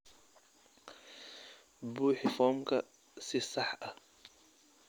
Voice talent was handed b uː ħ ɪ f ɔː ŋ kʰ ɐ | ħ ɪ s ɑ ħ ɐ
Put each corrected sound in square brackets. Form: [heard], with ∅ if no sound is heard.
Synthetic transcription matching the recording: b uː ħ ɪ f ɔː [m] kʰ ɐ | [s] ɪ s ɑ ħ ɐ